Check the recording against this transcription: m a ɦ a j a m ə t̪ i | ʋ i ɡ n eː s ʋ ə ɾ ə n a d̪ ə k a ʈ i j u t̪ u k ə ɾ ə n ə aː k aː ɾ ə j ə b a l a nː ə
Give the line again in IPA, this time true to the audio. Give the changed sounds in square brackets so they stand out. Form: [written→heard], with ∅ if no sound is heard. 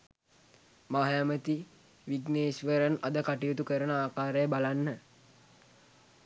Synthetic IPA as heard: m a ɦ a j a m ə t̪ i | ʋ i ɡ n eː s ʋ ə ɾ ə n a d̪ ə k a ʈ i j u t̪ u k ə ɾ ə n ə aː k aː ɾ ə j ə b a l a nː ə